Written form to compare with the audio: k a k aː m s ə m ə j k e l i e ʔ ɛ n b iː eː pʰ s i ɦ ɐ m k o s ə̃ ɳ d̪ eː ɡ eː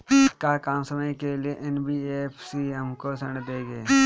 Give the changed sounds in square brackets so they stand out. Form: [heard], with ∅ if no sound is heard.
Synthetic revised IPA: k a k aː m s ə m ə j k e l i e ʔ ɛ n b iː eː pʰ s i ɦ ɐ m k o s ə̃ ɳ d̪ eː ɡ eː